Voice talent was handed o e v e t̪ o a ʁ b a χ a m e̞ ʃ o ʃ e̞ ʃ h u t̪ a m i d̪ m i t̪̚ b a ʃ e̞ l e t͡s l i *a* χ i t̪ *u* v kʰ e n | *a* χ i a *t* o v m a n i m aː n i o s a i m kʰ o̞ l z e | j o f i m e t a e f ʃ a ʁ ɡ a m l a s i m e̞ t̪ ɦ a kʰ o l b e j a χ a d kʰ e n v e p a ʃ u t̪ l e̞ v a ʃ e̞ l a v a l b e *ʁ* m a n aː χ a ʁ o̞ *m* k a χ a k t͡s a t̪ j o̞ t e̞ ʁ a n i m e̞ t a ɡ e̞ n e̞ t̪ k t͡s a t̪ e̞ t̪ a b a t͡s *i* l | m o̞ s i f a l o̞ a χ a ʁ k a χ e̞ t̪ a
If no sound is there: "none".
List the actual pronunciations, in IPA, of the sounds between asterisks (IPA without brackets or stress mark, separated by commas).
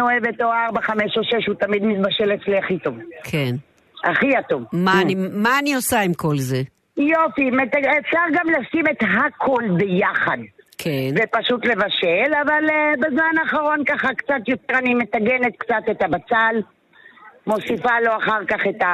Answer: a, o, a, t, z, n, a